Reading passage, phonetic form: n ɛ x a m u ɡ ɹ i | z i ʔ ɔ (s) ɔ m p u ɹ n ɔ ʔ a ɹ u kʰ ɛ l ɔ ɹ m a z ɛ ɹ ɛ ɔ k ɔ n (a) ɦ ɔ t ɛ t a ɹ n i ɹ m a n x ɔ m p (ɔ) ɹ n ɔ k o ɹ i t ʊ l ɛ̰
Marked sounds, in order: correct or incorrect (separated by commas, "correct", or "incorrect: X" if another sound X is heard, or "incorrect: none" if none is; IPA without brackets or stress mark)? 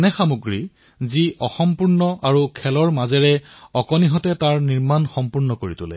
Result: incorrect: x, incorrect: i, incorrect: u